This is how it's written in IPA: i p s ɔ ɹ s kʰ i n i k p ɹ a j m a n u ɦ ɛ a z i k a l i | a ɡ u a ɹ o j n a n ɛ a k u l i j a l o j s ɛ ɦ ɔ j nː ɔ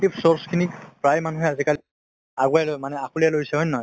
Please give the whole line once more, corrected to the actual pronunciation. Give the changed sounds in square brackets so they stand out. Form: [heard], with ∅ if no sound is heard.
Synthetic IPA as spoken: i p s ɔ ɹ s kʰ i n i k p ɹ a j m a n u ɦ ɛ a z i k a l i | a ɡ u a [l] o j [m] a n ɛ a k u l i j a l o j s ɛ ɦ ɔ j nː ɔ